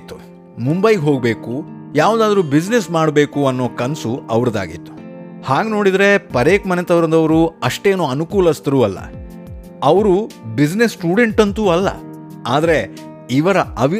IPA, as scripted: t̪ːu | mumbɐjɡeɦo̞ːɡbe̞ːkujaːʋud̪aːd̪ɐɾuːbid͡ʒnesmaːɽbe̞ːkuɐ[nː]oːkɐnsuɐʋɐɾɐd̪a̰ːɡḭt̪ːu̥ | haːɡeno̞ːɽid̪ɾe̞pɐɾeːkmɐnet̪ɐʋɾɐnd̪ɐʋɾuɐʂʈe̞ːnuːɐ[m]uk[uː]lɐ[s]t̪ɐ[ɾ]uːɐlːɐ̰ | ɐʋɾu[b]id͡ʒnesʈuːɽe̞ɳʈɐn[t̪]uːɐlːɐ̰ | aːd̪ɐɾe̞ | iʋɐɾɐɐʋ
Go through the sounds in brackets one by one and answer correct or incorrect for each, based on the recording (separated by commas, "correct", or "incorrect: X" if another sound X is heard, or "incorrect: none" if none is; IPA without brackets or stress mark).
correct, incorrect: n, correct, correct, correct, correct, correct